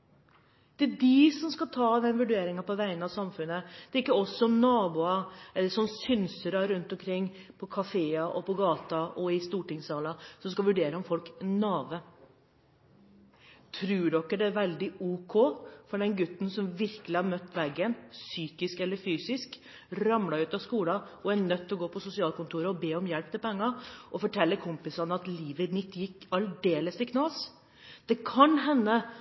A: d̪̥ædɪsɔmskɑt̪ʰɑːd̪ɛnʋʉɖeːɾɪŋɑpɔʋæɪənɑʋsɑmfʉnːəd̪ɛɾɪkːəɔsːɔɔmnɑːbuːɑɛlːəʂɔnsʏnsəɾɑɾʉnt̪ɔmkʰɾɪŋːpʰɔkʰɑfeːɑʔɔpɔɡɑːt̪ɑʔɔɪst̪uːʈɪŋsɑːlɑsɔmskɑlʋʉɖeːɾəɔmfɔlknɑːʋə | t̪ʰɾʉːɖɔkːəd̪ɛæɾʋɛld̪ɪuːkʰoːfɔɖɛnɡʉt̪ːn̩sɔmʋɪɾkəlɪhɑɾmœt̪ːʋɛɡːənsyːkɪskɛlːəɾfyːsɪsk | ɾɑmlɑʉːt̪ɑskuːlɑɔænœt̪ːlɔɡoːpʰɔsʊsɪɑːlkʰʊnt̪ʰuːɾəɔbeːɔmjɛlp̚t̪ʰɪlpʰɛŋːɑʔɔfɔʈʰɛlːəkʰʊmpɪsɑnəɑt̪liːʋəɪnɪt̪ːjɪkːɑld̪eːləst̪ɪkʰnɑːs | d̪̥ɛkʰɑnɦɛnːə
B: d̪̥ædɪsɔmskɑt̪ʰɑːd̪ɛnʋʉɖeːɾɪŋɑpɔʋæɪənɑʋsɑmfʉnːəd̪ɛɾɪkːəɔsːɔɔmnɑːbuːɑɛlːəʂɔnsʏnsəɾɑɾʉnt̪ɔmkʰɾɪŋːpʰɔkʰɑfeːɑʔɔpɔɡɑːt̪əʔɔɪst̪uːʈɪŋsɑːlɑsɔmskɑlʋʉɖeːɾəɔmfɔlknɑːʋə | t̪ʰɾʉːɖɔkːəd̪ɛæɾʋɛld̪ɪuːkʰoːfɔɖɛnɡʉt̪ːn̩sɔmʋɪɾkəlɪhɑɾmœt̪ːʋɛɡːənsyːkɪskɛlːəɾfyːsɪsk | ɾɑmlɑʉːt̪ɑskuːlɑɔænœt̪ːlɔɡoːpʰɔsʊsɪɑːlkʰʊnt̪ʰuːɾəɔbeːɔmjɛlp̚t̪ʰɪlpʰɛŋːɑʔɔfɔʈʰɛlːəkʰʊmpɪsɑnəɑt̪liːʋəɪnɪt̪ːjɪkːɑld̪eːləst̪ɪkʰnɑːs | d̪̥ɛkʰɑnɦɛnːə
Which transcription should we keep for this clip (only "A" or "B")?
A